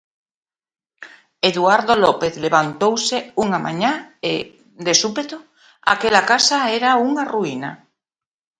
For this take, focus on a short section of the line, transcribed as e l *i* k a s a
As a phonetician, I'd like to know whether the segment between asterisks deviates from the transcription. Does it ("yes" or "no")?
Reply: yes